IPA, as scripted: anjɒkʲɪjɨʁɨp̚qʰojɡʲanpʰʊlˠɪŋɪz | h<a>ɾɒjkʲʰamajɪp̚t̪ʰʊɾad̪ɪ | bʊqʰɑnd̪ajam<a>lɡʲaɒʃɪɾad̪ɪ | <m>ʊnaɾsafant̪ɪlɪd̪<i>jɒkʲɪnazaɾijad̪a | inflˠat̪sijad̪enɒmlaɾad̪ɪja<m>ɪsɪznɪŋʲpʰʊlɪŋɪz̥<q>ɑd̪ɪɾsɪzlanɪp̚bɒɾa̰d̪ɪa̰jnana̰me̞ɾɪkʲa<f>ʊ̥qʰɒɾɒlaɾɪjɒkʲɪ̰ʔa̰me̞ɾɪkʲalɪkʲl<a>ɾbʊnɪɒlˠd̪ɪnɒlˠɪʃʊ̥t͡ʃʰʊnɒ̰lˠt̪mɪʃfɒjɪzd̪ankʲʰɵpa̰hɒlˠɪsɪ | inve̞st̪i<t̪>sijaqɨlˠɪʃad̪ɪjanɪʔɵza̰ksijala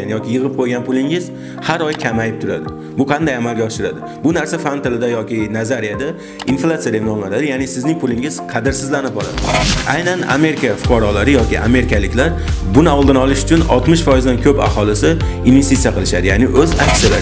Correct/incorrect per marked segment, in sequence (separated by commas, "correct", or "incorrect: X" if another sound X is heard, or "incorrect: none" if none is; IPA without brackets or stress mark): correct, correct, incorrect: b, incorrect: a, incorrect: n, incorrect: qʰ, correct, correct, correct